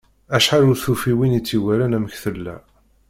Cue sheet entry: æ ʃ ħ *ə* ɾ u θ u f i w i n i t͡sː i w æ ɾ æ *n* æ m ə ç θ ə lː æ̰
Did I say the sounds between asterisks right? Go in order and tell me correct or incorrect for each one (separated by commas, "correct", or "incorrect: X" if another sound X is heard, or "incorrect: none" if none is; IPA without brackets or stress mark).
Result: incorrect: a, correct